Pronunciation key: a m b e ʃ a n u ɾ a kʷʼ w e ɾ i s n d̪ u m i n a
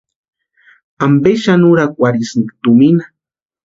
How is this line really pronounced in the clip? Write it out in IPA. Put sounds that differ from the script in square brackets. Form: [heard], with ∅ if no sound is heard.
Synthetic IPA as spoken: a m b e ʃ a n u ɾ a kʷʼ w [a] ɾ i s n [t̪] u m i n a